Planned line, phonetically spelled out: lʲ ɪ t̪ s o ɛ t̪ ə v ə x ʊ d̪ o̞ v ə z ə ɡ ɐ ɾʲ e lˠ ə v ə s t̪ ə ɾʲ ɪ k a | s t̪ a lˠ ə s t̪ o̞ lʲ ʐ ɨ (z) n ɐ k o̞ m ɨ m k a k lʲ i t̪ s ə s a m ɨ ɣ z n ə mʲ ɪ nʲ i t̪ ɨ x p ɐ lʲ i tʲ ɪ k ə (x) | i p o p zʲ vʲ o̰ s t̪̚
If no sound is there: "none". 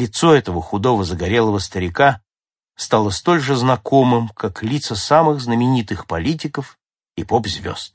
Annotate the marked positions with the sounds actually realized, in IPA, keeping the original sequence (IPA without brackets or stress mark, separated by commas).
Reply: z, f